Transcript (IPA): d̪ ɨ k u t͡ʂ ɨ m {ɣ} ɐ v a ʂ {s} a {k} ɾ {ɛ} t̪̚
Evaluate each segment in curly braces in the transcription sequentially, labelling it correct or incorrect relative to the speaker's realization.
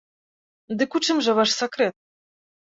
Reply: incorrect: ʐ, correct, correct, correct

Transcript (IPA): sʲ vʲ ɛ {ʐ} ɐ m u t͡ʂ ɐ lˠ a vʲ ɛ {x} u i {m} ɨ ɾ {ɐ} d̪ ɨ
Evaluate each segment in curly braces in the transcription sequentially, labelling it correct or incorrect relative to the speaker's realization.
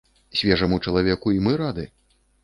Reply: correct, incorrect: k, correct, incorrect: a

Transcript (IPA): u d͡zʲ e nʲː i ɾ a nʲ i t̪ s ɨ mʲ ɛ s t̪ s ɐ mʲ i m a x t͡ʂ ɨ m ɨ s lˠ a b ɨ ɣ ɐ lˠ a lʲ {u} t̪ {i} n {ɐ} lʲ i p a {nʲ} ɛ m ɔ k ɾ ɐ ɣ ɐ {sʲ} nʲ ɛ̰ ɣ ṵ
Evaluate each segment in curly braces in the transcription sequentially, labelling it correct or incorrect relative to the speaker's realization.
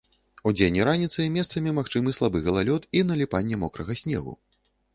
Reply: incorrect: ɔ, correct, correct, incorrect: nʲː, correct

